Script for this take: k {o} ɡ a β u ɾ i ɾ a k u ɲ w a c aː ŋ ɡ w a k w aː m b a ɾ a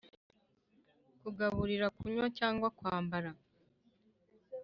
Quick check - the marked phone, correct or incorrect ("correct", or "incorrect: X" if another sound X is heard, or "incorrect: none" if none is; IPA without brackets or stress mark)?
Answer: incorrect: u